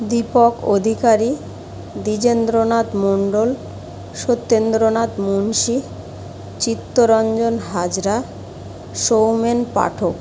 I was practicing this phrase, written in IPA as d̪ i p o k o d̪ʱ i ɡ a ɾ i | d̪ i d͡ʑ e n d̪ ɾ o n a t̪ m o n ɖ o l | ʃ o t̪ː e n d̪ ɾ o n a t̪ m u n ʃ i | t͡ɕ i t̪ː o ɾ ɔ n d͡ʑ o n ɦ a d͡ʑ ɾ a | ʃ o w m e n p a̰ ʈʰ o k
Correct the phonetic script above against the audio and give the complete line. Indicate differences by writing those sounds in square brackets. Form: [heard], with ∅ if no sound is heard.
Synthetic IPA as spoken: d̪ i p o k o d̪ʱ i [k] a ɾ i | d̪ i d͡ʑ e n d̪ ɾ o n a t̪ m o [ɳ] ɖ o l | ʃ o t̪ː e n d̪ ɾ o n a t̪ m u n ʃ i | t͡ɕ i t̪ː o ɾ ɔ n d͡ʑ o n ɦ a d͡ʑ ɾ a | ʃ o w m e n p a̰ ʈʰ o k